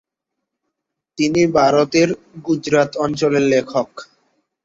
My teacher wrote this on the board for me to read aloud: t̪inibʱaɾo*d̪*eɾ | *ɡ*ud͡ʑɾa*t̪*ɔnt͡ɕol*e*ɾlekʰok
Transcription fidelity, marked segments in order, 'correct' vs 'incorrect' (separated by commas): incorrect, correct, correct, correct